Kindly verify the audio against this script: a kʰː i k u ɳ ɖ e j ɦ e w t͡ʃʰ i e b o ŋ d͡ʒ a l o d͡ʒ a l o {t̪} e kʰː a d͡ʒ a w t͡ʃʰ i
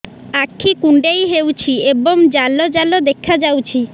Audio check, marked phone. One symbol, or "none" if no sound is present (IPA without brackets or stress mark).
d̪